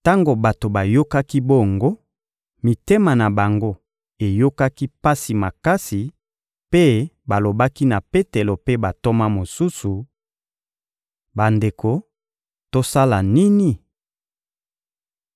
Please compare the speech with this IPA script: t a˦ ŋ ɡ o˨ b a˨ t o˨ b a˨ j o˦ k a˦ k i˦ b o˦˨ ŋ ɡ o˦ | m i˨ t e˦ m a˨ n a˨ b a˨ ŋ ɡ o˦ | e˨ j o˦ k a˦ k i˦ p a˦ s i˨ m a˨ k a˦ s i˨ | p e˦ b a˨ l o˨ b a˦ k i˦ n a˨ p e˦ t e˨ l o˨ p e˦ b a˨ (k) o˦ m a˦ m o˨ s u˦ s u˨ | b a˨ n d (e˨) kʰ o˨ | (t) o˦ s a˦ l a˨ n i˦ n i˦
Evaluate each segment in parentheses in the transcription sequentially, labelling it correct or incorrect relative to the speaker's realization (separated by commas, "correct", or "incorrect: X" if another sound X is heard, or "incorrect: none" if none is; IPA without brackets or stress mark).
incorrect: t, correct, correct